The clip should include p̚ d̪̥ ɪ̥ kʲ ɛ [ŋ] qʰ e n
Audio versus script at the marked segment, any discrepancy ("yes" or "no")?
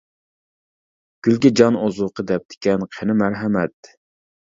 yes